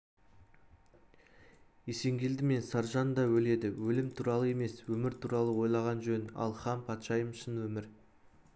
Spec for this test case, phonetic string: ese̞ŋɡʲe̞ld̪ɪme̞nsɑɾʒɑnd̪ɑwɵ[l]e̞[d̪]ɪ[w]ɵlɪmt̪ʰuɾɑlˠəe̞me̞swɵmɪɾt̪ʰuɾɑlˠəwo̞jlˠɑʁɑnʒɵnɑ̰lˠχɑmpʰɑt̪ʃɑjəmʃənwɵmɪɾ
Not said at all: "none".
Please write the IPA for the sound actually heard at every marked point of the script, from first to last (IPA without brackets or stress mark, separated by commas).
l, d̪, w